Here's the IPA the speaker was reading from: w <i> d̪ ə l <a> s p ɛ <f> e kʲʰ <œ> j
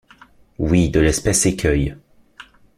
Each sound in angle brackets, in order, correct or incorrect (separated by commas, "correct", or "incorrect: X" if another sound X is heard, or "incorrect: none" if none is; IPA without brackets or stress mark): correct, incorrect: ɛ, incorrect: s, correct